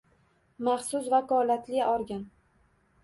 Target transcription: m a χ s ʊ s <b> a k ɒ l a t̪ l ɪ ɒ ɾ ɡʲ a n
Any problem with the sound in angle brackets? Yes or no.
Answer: yes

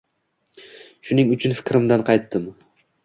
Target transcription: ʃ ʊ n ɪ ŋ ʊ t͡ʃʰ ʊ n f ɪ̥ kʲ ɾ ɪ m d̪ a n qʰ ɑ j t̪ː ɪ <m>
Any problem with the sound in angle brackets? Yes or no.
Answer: no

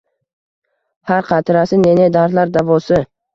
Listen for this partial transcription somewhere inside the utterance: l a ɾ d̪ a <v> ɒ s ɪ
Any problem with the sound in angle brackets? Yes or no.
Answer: no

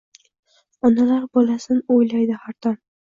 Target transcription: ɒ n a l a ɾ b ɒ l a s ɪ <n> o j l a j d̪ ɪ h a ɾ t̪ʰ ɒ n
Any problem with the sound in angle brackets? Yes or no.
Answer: no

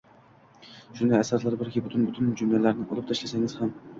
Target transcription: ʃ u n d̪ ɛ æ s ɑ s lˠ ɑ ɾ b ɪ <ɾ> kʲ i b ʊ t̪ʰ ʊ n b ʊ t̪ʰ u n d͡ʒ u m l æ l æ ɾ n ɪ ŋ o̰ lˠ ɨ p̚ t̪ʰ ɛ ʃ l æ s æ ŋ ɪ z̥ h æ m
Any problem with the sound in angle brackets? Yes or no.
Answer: no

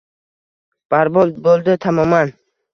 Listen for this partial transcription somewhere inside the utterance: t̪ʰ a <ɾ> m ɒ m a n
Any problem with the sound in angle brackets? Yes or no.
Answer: yes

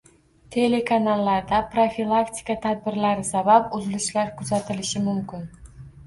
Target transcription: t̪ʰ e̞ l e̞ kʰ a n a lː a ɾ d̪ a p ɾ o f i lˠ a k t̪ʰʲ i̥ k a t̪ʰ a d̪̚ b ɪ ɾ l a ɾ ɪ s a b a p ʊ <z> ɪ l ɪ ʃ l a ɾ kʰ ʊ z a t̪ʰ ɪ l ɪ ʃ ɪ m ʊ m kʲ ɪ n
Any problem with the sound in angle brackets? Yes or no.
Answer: no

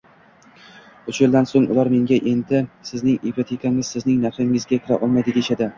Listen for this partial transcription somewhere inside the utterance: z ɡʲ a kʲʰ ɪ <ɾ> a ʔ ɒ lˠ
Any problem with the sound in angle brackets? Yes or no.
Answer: no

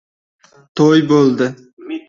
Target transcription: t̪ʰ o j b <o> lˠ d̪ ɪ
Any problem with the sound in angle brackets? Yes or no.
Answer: no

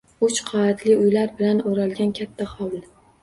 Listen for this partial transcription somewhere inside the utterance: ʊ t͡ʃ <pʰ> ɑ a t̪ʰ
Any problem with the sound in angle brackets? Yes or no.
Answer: yes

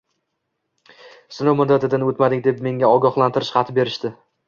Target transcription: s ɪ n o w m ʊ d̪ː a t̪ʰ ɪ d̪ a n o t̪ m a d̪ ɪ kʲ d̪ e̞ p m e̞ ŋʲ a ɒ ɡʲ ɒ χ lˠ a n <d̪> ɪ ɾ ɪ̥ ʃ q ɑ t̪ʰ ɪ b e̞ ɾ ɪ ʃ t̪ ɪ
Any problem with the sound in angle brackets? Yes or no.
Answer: yes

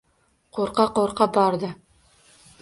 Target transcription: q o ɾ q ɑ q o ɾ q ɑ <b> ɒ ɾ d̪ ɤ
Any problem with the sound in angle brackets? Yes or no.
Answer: no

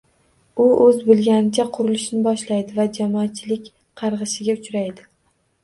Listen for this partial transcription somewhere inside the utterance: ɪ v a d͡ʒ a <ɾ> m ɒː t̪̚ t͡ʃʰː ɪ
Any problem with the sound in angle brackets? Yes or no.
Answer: yes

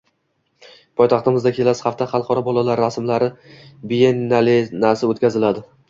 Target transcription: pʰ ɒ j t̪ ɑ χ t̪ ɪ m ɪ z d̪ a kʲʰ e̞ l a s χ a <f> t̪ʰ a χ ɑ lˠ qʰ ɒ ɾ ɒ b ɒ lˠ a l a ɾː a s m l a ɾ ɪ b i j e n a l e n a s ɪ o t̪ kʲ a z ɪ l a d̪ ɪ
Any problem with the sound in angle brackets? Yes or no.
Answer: no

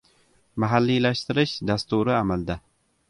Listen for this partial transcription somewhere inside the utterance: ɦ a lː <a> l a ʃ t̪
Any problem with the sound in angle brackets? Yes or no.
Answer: yes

